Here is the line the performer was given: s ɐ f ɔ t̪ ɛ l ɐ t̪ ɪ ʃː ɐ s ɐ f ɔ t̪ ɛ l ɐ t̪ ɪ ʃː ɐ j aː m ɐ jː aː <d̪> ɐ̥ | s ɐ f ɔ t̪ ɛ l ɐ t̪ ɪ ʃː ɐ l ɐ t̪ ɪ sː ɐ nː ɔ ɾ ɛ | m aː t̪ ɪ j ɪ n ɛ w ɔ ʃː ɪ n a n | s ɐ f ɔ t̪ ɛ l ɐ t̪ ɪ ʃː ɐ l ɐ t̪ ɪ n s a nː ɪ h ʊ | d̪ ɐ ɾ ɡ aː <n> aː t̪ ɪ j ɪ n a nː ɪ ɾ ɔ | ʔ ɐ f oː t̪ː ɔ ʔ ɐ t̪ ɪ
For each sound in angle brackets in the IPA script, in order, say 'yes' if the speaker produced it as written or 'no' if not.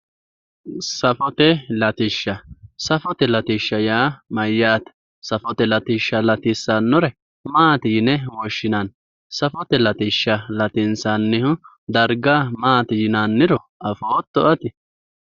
no, no

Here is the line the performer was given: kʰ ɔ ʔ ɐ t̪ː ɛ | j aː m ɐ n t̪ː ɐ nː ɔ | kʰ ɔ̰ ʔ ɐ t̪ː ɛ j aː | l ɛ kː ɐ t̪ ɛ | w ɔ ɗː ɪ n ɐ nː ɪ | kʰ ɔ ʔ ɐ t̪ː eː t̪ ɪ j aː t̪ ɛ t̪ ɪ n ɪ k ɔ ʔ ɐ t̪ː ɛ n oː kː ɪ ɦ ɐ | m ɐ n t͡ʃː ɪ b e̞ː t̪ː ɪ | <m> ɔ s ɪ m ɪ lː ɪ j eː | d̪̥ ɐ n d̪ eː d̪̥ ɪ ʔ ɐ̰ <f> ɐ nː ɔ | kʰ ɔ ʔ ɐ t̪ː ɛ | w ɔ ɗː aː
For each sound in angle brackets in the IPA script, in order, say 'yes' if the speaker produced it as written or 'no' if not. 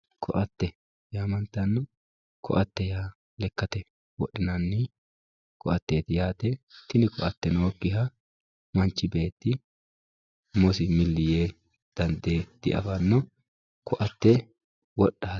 yes, yes

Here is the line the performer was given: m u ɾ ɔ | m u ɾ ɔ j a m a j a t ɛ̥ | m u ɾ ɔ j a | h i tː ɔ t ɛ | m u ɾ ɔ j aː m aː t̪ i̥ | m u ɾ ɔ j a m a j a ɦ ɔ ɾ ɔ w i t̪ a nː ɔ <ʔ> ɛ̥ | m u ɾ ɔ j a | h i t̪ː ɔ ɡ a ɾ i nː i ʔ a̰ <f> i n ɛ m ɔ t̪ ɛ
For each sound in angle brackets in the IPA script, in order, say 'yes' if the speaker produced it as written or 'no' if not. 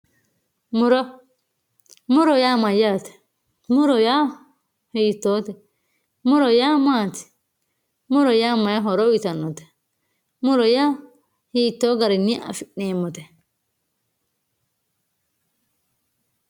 no, yes

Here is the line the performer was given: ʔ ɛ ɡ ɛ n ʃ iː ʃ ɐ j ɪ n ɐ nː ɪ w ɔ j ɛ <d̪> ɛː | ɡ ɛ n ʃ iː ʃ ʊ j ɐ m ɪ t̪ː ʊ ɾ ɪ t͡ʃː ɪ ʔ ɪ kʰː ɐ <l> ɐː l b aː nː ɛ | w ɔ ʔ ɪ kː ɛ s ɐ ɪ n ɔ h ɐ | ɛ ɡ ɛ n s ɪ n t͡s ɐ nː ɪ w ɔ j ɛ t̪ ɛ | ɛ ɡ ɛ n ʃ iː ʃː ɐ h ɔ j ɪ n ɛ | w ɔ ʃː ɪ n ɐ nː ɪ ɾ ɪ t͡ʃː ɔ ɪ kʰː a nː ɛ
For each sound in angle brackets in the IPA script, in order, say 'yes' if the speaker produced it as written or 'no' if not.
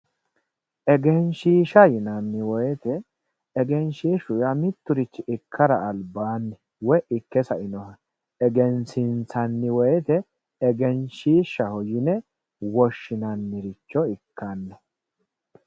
no, no

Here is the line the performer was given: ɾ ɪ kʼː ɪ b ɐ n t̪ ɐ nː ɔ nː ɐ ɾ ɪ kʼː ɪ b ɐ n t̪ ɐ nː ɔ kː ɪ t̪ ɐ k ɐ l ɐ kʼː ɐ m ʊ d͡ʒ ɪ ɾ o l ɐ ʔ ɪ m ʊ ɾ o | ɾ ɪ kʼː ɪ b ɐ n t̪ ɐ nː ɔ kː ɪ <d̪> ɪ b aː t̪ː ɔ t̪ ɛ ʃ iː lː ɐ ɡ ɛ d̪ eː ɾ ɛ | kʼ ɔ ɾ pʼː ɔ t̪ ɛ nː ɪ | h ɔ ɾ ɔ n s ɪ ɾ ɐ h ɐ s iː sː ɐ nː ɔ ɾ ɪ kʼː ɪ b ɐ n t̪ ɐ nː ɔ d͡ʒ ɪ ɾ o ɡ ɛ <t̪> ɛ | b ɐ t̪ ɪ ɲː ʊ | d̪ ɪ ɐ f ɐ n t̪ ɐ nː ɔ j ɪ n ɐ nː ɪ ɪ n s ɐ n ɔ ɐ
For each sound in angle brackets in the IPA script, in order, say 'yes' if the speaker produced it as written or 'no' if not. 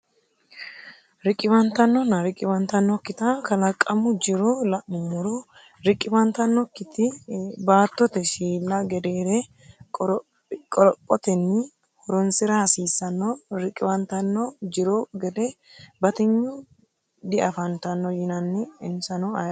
no, no

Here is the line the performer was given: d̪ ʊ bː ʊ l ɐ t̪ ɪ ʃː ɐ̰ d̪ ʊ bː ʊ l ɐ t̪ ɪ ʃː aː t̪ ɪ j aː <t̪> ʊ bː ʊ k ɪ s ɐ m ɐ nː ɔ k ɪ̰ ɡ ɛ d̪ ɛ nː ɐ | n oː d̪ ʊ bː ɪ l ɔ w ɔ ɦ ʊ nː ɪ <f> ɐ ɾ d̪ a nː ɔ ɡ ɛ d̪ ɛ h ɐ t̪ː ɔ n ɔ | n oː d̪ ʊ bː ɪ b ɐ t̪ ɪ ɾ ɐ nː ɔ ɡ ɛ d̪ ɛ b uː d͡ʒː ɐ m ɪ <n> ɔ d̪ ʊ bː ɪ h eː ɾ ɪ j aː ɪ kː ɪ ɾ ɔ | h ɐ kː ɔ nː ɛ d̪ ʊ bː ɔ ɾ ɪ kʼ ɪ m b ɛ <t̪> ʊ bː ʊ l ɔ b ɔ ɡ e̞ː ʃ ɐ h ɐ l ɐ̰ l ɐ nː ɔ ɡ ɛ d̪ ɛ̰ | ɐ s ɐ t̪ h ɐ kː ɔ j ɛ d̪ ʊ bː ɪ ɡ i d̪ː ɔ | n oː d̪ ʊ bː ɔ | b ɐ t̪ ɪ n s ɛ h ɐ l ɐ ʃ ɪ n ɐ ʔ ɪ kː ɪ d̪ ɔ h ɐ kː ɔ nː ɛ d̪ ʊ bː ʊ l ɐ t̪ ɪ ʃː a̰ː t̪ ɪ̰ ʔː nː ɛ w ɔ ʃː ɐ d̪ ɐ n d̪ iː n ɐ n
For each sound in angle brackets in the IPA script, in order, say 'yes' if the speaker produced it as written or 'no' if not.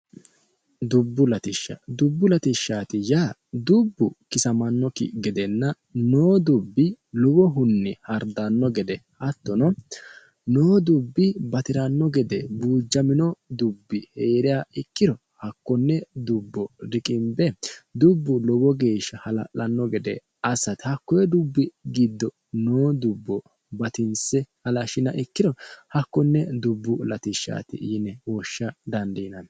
no, no, yes, no

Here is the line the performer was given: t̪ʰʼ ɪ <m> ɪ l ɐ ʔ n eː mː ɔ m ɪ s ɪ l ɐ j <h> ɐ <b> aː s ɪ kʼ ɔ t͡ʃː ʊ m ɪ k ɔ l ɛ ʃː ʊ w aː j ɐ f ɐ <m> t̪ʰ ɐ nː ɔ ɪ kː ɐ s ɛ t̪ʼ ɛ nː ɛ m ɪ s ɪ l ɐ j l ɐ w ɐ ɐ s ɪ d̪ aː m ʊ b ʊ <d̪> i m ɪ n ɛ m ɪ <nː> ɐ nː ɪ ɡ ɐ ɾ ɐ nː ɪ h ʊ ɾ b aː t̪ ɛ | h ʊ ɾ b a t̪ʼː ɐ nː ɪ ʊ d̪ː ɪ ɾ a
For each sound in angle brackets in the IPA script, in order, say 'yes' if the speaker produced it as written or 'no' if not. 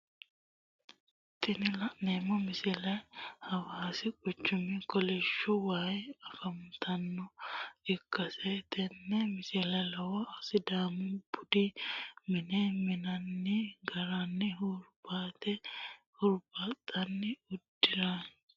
no, yes, no, yes, yes, no

